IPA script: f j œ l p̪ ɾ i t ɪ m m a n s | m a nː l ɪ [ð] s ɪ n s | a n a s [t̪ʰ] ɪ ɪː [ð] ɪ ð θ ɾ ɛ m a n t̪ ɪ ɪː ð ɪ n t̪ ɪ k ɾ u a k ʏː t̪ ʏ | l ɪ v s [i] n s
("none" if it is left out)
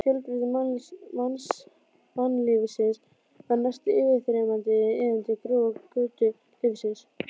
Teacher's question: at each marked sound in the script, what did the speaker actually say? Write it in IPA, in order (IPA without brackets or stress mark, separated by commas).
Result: v, t̪, v, ɪ